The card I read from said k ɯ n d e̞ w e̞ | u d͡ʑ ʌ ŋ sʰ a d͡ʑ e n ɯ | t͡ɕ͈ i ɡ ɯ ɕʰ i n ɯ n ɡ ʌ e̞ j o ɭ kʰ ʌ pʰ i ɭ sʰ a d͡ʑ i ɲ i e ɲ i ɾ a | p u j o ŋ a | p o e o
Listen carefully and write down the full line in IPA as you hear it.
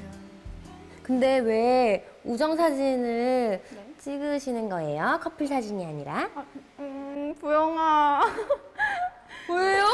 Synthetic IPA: k ɯ n d e̞ w e̞ | u d͡ʑ ʌ ŋ sʰ a d͡ʑ i n ɯ | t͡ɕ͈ i ɡ ɯ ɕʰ i n ɯ n ɡ ʌ e̞ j o kʰ ʌ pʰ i ɭ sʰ a d͡ʑ i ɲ i a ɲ i ɾ a | p u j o ŋ a | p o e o